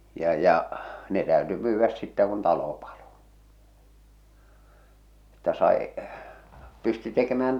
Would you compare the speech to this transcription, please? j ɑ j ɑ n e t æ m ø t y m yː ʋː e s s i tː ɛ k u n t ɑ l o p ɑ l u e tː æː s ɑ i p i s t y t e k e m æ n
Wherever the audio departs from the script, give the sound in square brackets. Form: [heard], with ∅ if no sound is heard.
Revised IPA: j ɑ j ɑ n e t æ [∅] ø t y m yː ʋː [æ] s s i tː [æ] k u n t ɑ l o p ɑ l [o] e tː [æ] s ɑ i p [y] s t y t e k e m [æː] n